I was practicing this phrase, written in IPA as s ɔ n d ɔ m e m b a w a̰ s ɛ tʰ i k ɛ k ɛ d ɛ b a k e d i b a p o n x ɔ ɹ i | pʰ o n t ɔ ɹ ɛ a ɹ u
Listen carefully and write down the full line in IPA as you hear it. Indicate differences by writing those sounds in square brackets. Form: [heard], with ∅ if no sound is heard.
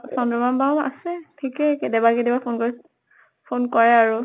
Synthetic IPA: s ɔ n d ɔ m [a] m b a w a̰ s ɛ tʰ i k ɛ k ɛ d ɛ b a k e d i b a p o n [k] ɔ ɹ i | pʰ o n [k] ɔ ɹ ɛ a ɹ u